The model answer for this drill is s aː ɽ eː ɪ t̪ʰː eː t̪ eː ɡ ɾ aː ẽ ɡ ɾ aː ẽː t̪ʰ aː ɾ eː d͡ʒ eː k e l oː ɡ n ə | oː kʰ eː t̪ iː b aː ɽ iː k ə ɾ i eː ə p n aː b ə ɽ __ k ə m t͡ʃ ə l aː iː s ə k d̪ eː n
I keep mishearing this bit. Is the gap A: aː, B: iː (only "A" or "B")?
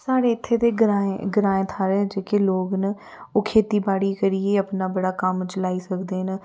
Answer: A